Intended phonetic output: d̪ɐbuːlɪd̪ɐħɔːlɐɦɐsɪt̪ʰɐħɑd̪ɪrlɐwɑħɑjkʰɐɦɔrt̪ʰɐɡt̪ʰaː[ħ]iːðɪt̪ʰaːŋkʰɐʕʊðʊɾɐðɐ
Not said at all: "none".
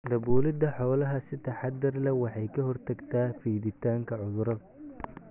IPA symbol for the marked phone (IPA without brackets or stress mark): f